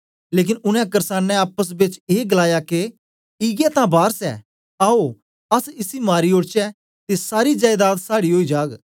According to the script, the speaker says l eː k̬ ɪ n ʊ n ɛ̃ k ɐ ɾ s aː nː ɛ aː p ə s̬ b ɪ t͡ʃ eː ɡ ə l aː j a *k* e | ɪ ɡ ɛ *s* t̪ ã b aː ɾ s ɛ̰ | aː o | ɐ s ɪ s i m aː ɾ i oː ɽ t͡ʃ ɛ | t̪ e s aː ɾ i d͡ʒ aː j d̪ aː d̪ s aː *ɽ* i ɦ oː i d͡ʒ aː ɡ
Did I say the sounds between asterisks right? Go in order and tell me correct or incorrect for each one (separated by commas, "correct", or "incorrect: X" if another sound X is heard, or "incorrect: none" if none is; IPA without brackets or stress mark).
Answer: correct, incorrect: none, correct